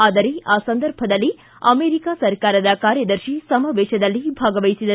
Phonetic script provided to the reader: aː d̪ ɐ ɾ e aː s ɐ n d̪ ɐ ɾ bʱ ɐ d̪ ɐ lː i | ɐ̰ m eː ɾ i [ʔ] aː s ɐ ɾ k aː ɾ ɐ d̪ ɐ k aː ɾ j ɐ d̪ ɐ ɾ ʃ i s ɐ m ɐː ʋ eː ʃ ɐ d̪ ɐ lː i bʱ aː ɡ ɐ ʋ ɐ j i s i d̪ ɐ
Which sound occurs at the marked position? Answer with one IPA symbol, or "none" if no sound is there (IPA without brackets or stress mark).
k